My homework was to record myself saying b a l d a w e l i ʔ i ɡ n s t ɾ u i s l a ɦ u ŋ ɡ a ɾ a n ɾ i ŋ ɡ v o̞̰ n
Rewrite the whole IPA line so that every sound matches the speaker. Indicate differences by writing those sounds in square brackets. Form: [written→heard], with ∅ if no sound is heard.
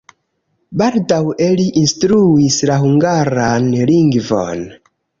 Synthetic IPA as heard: b a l d a w e l i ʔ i [ɡ→∅] n s t ɾ u i s l a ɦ u ŋ ɡ a ɾ a n [ɾ→l] i ŋ ɡ v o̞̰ n